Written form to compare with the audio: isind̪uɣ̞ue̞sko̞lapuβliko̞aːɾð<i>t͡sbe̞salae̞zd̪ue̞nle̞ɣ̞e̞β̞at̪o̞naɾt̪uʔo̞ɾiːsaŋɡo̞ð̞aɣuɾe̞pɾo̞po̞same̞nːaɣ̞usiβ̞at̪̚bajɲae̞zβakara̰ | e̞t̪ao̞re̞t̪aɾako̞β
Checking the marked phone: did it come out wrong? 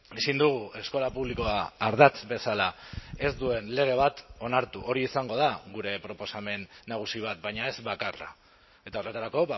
yes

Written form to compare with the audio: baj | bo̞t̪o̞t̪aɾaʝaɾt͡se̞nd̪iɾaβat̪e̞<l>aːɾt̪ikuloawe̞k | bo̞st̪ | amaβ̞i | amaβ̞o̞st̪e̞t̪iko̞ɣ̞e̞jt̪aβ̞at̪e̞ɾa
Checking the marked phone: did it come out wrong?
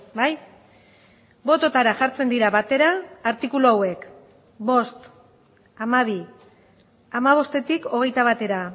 yes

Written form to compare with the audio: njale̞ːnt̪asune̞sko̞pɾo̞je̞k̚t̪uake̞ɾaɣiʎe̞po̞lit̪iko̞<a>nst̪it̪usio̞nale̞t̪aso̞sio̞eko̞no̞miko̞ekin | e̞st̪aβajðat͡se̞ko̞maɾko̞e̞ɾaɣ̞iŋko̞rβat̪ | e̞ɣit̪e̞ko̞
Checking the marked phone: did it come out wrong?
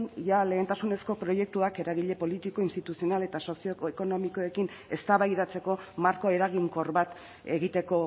yes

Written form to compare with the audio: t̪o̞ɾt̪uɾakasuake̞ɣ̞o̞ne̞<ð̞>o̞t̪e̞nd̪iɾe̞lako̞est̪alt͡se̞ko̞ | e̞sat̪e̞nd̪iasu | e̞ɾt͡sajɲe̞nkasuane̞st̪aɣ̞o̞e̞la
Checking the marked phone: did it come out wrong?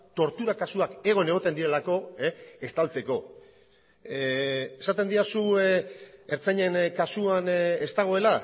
yes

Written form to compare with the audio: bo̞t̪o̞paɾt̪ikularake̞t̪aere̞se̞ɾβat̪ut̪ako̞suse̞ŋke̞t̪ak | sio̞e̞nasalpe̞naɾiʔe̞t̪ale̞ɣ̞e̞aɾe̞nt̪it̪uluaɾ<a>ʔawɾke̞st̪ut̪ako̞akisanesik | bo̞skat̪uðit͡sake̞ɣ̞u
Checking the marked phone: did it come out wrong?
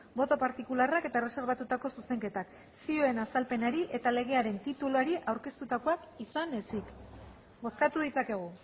yes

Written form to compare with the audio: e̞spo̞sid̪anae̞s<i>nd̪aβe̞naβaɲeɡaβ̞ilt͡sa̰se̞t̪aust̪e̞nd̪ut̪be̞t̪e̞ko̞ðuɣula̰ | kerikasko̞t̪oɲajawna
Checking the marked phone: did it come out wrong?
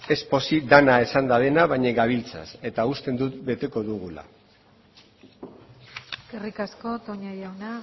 yes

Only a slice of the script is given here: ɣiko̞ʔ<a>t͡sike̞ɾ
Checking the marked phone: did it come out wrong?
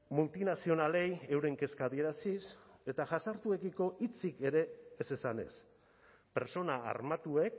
yes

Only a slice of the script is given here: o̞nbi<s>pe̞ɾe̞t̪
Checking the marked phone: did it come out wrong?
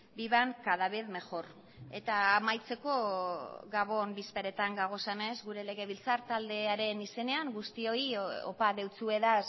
no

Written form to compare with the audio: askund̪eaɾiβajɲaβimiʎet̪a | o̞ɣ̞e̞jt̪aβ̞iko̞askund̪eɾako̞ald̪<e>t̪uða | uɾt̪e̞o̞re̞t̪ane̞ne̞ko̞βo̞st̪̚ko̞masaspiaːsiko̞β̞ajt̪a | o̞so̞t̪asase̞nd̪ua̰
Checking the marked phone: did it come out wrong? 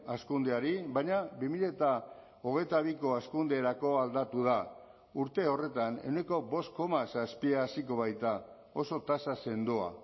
yes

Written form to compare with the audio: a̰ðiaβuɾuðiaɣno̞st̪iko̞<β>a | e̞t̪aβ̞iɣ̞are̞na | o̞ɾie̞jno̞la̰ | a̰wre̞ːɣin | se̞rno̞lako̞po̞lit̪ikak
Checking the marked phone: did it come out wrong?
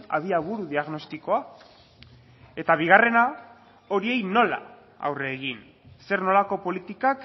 yes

